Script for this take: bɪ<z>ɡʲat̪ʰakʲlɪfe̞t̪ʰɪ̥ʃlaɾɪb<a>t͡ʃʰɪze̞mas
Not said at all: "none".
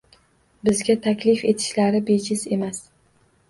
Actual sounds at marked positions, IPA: z, e

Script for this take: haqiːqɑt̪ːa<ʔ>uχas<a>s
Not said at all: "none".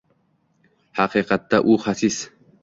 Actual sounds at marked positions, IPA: ʔ, i

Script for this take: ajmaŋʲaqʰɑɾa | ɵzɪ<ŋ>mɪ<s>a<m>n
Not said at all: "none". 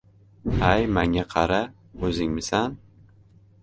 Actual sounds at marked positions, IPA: ŋ, s, none

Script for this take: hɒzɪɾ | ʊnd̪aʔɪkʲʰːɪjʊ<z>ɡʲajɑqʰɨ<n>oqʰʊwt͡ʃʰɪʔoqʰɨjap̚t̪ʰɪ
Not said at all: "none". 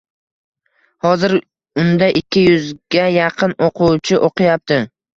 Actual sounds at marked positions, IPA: z, n

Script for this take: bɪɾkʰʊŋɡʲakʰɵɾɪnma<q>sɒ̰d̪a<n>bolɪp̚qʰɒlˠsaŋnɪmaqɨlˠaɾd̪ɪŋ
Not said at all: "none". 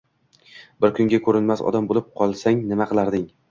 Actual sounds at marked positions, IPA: none, m

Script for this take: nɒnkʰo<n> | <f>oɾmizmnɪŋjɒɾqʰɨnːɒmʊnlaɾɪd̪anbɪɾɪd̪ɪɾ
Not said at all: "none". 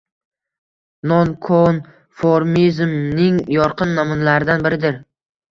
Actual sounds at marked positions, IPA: n, f

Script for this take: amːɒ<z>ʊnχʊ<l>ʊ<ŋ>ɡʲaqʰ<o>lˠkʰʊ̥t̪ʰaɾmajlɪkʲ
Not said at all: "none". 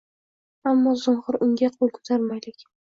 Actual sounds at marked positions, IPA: z, ɾ, ŋ, o

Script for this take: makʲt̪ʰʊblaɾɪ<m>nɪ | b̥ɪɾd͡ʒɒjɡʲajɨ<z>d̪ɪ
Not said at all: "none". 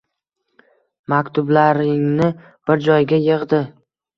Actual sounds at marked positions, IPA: ŋ, ʁ

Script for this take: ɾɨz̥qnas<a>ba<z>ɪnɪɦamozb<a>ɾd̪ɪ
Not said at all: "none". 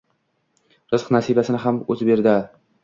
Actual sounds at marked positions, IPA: i, s, e

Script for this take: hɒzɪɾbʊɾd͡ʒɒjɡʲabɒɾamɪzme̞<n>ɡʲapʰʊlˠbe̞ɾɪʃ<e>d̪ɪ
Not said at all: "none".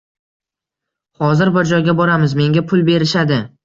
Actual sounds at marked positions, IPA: ŋ, a

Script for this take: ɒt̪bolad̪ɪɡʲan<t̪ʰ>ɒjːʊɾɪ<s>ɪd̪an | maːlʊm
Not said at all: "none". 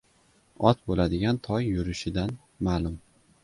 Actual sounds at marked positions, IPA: t̪ʰ, ʃ

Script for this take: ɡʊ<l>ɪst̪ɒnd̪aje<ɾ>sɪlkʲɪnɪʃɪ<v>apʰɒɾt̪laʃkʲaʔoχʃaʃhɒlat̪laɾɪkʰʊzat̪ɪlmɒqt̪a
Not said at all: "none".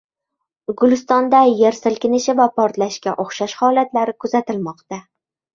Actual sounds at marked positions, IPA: l, ɾ, v

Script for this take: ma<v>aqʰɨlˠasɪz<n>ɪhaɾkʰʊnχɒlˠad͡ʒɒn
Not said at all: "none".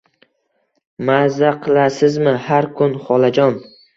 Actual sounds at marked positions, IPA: z, m

